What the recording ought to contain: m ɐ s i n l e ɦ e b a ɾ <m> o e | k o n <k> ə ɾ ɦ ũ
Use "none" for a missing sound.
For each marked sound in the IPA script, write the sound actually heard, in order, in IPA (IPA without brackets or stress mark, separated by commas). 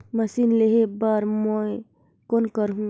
m, k